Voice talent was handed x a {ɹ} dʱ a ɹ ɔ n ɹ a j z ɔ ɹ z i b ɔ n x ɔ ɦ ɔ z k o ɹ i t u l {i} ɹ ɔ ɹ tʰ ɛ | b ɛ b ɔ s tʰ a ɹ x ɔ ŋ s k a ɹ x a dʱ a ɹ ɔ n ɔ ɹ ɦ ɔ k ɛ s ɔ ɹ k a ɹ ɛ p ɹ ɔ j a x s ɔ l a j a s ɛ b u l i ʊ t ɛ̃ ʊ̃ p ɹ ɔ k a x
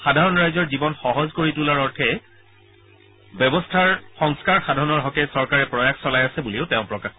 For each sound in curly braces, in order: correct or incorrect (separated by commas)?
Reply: incorrect, incorrect